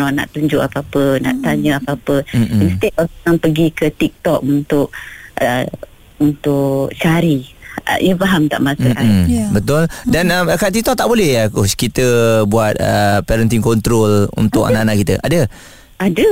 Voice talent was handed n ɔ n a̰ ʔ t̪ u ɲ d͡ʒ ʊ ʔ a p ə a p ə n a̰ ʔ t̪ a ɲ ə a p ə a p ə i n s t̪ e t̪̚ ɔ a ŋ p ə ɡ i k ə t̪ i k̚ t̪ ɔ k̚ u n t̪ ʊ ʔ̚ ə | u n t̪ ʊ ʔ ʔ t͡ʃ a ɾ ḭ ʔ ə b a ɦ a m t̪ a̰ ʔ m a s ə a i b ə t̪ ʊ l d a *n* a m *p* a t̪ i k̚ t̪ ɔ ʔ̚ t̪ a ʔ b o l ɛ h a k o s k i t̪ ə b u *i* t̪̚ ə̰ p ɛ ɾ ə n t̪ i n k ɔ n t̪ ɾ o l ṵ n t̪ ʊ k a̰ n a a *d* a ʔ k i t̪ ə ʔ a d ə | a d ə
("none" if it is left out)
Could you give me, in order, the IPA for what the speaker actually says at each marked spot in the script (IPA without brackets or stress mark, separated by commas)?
n, k, a, n